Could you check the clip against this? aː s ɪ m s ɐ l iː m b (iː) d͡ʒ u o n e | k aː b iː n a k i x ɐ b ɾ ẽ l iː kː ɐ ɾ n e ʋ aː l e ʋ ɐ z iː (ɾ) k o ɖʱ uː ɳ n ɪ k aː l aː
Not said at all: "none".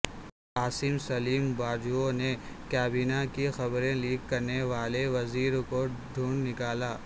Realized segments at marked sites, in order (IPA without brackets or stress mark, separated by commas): aː, ɾ